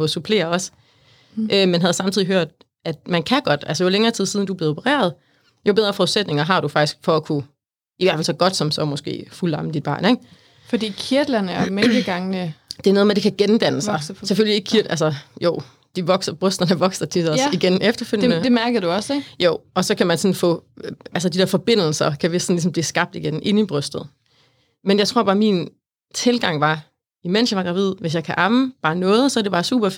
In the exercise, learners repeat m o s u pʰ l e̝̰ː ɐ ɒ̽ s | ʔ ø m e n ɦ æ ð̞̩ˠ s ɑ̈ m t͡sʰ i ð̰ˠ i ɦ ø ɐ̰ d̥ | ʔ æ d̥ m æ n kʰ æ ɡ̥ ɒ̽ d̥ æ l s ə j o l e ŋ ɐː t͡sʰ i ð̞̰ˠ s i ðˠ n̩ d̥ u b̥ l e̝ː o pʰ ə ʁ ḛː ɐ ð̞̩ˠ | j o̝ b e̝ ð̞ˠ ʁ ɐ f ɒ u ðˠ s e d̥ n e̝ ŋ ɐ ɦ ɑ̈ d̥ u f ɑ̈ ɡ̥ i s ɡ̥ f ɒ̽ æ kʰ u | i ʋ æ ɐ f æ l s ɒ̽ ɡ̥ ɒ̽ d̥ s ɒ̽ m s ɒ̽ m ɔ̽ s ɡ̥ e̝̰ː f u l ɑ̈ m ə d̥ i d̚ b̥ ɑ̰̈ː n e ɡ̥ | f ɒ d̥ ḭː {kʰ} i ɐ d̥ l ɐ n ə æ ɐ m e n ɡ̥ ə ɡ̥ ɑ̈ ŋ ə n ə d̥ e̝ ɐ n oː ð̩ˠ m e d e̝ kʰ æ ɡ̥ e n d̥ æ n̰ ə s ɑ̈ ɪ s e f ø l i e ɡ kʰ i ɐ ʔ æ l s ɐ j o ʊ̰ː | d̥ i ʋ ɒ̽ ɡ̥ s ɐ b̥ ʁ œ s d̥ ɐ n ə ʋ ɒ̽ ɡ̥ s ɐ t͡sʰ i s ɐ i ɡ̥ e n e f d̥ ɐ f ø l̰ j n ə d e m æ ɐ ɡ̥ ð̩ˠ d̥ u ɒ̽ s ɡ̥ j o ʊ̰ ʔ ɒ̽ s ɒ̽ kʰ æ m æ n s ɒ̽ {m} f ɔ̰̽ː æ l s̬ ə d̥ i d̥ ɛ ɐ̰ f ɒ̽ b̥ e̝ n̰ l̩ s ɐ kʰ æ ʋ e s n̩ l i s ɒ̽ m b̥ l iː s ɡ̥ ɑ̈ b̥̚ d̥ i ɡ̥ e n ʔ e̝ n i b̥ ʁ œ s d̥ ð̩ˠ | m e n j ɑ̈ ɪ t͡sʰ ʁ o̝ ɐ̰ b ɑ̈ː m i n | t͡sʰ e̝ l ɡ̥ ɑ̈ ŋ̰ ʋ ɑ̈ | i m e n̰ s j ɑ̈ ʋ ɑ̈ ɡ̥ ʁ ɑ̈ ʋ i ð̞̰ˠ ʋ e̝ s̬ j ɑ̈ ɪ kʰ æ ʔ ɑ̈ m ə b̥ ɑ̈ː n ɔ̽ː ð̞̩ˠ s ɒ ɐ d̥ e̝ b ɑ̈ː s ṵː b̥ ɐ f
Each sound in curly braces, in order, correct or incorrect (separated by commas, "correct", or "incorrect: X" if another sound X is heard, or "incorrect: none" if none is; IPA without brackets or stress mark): correct, incorrect: n